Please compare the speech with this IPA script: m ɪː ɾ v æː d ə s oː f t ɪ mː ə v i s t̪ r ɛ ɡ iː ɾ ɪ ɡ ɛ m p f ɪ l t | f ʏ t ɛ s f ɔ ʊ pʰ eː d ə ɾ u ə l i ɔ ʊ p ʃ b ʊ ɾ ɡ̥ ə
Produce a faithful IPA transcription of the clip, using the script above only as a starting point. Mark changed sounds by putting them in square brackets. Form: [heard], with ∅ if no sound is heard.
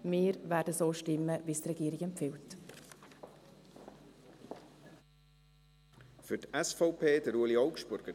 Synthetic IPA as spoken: m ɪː ɾ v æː d ə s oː [ʃ] t ɪ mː ə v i s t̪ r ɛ ɡ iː ɾ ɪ ɡ ɛ m p f ɪ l t | f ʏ t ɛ s f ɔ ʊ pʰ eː d ə ɾ u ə l i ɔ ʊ [k] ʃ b ʊ ɾ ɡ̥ ə